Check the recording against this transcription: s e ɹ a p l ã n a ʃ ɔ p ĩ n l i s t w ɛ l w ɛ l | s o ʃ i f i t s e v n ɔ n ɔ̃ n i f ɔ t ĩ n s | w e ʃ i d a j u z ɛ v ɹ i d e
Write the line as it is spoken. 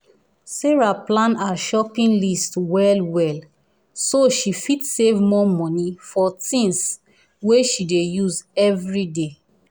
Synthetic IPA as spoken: s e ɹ a p l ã n a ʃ ɔ p ĩ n l i s t w ɛ l w ɛ l | s o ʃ i f i t s e v m ɔ m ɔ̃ n i f ɔ t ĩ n s | w e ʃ i d e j u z ɛ v ɹ i d e